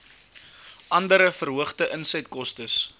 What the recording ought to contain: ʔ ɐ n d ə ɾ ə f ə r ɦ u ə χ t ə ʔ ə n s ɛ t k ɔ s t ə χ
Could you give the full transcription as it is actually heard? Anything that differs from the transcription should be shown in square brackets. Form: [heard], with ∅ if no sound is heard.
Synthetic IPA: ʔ ɐ n d ə ɾ ə f ə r ɦ u ə χ t ə ʔ ə n s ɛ t k ɔ s t ə [s]